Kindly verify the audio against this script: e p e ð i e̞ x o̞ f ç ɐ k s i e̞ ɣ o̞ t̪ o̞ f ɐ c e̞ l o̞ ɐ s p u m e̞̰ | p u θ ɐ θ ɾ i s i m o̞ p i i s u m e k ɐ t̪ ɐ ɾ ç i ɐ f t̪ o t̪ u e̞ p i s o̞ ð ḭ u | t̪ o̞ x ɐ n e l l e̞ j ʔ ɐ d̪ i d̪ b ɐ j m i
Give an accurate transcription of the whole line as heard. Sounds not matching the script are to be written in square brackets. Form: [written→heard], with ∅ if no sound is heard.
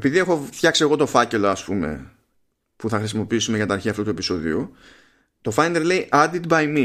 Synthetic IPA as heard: e p [e→i] ð i e̞ x o̞ f ç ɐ k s i e̞ ɣ o̞ t̪ o̞ f ɐ c e̞ l o̞ ɐ s p u m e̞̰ | p u θ ɐ [θ→x] ɾ i s i m o̞ p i i s u m e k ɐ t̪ ɐ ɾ ç i ɐ f t̪ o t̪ u e̞ p i s o̞ ð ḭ u | t̪ o̞ [x→f] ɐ n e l l e̞ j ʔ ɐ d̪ i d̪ b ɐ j m i